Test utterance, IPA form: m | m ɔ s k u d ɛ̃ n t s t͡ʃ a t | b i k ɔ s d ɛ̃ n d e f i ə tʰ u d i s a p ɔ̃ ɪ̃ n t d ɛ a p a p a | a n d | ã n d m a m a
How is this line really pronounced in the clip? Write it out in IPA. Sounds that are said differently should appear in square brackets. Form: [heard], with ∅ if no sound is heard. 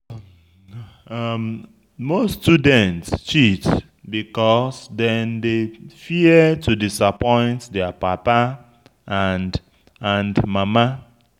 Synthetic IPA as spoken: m | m [o] s [t] u d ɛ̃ n t s t͡ʃ [i] t | b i k ɔ s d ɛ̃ n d e f i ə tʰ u d i s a p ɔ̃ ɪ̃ n t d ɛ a p a p a | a n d | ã n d m a m a